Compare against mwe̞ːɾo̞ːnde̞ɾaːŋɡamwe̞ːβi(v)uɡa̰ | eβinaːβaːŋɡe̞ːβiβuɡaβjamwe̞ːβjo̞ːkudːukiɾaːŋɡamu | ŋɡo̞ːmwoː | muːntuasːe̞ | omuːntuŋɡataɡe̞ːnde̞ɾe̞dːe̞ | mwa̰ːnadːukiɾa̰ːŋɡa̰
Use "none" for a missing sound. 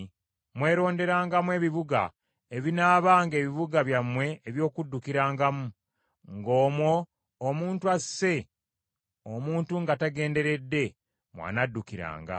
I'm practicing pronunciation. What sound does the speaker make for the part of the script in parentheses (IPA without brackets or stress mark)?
β